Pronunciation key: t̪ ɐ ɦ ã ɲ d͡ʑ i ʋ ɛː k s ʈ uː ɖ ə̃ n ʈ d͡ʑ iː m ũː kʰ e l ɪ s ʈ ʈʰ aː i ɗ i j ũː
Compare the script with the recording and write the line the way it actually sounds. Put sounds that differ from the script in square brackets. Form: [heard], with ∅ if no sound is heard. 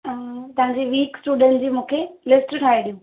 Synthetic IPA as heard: t̪ ɐ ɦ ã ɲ d͡ʑ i ʋ [iː] k s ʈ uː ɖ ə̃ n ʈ d͡ʑ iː m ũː kʰ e l ɪ s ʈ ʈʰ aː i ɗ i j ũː

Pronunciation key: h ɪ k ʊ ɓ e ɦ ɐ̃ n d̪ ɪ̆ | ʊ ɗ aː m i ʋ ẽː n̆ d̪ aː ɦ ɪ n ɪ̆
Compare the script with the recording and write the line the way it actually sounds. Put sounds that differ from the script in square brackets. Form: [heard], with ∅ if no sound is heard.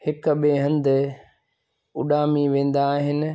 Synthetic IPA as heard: h ɪ k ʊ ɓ e ɦ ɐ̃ n d̪ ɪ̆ | ʊ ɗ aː m i ʋ ẽː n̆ d̪ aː ɦ ɪ n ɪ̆

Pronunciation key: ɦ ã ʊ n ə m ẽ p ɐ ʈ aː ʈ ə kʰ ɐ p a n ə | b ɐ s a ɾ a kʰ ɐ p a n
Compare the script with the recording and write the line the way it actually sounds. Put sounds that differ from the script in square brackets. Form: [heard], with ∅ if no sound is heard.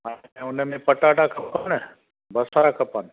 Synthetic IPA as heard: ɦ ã ʊ n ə m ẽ p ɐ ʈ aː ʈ [a] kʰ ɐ p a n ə | b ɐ s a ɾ a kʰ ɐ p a n

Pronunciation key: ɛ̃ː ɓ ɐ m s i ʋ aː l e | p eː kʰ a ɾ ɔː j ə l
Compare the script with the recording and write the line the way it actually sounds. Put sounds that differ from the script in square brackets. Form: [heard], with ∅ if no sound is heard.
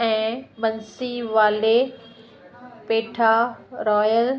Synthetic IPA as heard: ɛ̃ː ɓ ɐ [n] s i ʋ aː l e | p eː [ʈʰ] a ɾ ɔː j ə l

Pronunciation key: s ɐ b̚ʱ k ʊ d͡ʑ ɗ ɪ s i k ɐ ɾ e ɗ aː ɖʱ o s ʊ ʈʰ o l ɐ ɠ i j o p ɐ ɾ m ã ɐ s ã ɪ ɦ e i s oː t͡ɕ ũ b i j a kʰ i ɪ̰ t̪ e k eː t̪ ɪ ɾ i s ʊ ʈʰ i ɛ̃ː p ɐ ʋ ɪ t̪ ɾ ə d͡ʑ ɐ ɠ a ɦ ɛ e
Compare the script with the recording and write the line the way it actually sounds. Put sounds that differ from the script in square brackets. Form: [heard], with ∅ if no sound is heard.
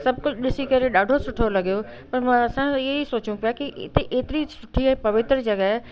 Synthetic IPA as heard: s ɐ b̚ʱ k ʊ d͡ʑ ɗ ɪ s i k ɐ ɾ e ɗ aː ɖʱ o s ʊ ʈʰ o l ɐ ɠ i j o p ɐ ɾ m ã ɐ s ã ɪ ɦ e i s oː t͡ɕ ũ [p] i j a [k] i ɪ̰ t̪ e [ʔ] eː t̪ ɪ ɾ i s ʊ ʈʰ i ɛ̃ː p ɐ ʋ ɪ t̪ ɾ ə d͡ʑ ɐ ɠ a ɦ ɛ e

